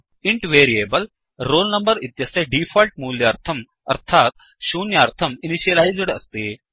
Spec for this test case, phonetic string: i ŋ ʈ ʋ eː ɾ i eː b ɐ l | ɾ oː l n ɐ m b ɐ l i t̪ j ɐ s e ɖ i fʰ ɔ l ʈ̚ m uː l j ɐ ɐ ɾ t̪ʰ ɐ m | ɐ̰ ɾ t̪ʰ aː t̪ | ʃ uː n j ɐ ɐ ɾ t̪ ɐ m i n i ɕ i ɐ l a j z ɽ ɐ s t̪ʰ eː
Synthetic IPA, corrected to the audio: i ɳ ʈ ʋ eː ɾ i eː b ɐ l | ɾ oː l n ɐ m b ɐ ɾ i t̪ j ɐ s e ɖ i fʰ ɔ l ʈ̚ m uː l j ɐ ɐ ɾ t̪ʰ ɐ m | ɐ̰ ɾ t̪ʰ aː t̪ | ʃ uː n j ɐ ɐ ɾ t̪ʰ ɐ m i n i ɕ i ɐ l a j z ɽ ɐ s t̪ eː